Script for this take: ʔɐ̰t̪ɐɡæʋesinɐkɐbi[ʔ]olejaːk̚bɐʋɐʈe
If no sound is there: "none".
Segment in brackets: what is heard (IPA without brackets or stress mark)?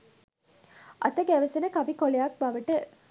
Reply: k